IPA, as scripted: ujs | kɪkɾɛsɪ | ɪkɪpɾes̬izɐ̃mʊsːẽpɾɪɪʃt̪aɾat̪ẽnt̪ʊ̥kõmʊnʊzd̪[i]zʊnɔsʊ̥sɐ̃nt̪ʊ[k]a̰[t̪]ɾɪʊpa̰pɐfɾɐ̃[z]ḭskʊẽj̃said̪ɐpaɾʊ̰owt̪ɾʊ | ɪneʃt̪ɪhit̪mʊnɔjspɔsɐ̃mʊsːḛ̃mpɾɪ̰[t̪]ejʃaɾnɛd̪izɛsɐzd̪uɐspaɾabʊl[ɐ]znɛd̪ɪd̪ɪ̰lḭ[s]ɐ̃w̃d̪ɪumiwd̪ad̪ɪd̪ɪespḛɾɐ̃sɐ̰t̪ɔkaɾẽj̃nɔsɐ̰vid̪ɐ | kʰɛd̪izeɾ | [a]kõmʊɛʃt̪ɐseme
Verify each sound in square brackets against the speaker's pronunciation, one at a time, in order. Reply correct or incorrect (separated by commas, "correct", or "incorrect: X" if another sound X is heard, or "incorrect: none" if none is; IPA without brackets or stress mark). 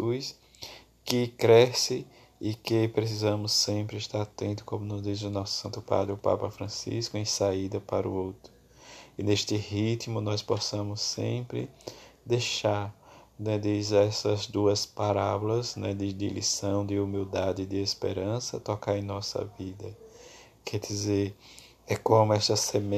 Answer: correct, incorrect: p, incorrect: d̪, incorrect: s, incorrect: d̪, correct, correct, incorrect: ɛ